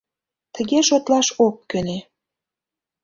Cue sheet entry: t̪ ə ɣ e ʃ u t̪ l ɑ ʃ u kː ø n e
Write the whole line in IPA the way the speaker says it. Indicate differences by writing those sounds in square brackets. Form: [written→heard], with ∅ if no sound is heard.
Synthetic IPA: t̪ ə ɣ e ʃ [u→o] t̪ l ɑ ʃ [u→o] kː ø n e